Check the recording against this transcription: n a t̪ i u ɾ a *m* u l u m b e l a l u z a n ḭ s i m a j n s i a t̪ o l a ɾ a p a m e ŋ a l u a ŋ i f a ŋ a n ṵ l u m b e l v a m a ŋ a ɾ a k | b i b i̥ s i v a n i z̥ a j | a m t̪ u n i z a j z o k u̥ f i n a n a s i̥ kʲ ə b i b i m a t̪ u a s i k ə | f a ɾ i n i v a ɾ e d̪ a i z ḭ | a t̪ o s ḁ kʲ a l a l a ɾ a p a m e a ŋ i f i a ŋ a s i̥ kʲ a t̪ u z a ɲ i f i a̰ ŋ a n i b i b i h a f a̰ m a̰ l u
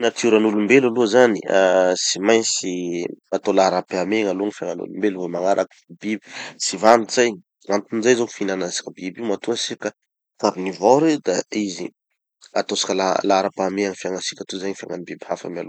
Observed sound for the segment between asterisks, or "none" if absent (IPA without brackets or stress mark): n